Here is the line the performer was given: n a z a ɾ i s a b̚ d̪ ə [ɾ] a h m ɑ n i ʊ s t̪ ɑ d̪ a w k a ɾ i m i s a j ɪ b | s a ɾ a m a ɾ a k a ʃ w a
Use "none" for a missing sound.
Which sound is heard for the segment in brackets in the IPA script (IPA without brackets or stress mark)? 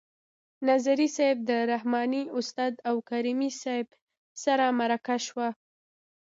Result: ɾ